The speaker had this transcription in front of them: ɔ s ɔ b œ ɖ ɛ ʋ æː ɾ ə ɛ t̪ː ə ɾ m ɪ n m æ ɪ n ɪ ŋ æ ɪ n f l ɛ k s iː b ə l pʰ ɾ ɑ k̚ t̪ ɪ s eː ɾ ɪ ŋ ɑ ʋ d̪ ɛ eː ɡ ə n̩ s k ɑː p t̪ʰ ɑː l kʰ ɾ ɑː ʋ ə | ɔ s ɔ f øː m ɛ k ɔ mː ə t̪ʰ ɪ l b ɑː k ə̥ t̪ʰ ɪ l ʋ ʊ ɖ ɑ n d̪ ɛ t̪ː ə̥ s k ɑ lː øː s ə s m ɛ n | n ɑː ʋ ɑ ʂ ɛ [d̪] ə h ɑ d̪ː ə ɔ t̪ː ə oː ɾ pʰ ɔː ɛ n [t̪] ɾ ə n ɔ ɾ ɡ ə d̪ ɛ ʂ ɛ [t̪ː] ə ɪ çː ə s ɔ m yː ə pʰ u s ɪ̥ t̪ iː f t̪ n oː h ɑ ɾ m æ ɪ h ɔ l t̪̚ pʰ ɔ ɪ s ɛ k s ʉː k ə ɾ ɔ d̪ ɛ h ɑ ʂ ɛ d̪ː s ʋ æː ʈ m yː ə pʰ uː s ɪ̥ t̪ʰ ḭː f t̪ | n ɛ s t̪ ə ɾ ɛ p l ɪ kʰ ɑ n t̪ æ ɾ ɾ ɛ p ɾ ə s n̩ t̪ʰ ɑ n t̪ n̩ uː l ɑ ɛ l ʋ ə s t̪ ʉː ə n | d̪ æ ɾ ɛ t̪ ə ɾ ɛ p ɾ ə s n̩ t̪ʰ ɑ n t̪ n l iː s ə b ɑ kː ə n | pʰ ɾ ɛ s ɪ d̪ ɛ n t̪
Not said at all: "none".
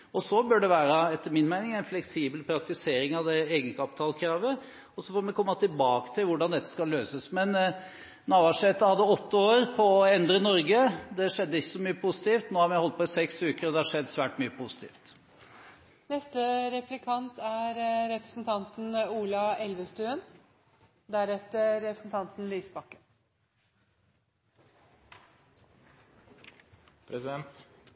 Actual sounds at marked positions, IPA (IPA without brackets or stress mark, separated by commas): t̪, d̪, d̪ː